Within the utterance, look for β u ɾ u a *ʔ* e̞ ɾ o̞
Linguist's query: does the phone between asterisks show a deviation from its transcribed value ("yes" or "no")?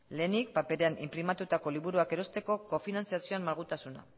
yes